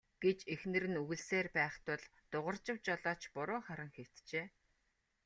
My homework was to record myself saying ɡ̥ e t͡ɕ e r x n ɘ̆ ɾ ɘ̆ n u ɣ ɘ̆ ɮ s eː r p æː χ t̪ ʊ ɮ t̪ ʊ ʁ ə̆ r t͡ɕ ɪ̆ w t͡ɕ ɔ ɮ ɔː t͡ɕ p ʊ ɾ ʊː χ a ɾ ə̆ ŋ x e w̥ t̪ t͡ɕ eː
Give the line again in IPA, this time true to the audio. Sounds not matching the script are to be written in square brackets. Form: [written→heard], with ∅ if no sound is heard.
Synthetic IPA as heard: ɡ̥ e t͡ɕ e [r→∅] x n ɘ̆ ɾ ɘ̆ n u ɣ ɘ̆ ɮ s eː r p æː χ t̪ ʊ ɮ t̪ ʊ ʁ ə̆ r t͡ɕ ɪ̆ w t͡ɕ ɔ ɮ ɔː t͡ɕ p ʊ ɾ ʊː χ a ɾ ə̆ ŋ x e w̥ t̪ t͡ɕ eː